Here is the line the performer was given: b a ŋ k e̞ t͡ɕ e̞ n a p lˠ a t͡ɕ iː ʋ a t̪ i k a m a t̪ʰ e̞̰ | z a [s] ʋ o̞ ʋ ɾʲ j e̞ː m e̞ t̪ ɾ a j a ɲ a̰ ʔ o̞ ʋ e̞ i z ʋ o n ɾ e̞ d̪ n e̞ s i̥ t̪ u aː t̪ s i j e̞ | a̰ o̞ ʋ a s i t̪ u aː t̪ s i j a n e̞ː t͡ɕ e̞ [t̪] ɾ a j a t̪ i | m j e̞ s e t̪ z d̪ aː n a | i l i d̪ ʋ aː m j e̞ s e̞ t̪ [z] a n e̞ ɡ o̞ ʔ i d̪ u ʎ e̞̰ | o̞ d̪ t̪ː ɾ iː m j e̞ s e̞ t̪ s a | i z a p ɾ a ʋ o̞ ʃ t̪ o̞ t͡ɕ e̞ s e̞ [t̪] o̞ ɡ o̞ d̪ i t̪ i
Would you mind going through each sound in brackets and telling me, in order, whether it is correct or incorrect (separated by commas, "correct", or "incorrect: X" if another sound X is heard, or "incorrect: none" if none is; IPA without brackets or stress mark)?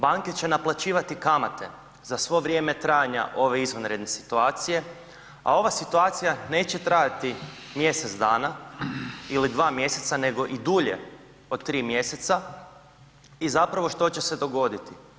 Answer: correct, correct, incorrect: s, incorrect: d̪